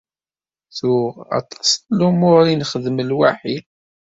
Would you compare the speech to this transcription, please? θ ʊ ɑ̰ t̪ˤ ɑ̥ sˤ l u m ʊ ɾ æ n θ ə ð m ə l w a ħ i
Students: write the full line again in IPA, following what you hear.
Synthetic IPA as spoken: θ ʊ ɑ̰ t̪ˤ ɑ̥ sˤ l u m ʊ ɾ i n χ ə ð m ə l w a ħ i